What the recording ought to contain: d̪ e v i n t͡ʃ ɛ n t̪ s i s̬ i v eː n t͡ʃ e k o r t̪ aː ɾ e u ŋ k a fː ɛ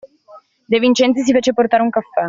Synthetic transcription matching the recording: d̪ e v i n t͡ʃ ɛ n t̪ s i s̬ i f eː t͡ʃ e p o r t̪ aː ɾ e u ŋ k a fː ɛ